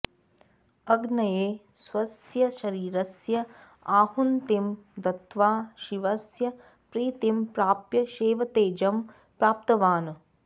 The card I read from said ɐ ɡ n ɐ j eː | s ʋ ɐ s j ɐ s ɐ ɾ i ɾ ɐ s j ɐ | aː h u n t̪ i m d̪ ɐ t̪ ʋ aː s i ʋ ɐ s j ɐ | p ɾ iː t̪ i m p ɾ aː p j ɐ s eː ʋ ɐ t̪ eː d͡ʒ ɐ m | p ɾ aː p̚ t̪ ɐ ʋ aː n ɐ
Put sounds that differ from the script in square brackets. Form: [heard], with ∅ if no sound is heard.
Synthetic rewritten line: ɐ ɡ n ɐ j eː | s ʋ ɐ s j ɐ [ʃ] ɐ ɾ [iː] ɾ ɐ s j ɐ | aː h u n t̪ i m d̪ ɐ t̪ ʋ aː [ʃ] i ʋ ɐ s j ɐ | p ɾ iː t̪ i m p ɾ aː p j ɐ [ʃ] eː ʋ ɐ t̪ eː d͡ʒ ɐ m | p ɾ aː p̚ t̪ ɐ ʋ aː n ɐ